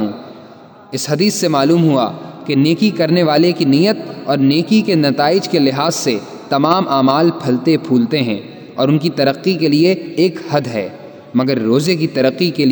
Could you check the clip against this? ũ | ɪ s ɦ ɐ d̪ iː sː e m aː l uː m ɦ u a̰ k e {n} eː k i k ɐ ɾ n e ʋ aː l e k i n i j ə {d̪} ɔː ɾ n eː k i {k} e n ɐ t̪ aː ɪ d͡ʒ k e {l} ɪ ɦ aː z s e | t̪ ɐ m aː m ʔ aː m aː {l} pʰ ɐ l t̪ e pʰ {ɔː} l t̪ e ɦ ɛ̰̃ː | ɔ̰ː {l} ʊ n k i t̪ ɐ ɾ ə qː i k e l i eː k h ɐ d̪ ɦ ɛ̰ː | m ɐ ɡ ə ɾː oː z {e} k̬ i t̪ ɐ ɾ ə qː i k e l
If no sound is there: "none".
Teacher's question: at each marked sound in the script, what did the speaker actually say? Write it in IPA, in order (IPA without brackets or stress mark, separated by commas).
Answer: n, t̪, k, l, l, uː, ɾ, e